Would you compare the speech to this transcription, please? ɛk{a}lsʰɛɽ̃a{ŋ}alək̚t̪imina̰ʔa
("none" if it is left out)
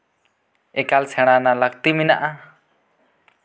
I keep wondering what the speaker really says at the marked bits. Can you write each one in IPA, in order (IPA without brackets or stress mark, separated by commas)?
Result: a, n